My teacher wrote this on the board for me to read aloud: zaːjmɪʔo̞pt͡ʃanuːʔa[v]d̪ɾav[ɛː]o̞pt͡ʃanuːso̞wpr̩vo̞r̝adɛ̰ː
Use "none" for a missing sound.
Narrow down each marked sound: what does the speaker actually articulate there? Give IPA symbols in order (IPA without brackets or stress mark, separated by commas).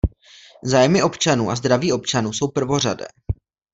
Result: z, iː